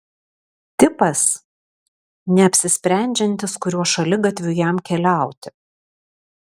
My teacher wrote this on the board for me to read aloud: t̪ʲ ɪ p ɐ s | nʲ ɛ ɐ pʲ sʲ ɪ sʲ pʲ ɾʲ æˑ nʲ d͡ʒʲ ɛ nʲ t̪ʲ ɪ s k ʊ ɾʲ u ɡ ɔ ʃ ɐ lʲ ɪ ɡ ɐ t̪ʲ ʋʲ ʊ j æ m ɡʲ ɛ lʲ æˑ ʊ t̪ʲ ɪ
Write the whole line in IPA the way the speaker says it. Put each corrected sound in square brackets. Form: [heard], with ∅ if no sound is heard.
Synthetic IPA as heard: t̪ʲ ɪ p ɐ s | nʲ ɛ ɐ pʲ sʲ ɪ sʲ pʲ ɾʲ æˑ nʲ d͡ʒʲ ɛ nʲ t̪ʲ ɪ s k ʊ ɾʲ u [∅] ɔ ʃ ɐ lʲ ɪ ɡ ɐ t̪ʲ ʋʲ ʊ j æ m [kʲ] ɛ lʲ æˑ ʊ t̪ʲ ɪ